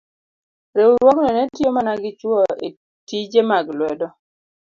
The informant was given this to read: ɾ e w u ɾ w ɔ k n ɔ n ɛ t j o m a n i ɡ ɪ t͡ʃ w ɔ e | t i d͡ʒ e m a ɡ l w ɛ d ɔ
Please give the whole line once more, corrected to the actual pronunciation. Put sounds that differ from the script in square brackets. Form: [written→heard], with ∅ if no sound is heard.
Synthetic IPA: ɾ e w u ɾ w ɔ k n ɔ n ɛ t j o m a n [i→a] ɡ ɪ t͡ʃ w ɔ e | t i d͡ʒ e m a ɡ l w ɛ d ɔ